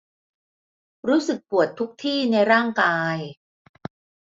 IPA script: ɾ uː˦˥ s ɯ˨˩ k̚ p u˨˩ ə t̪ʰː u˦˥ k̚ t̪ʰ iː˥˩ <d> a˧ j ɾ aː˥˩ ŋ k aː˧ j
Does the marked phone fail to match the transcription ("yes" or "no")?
yes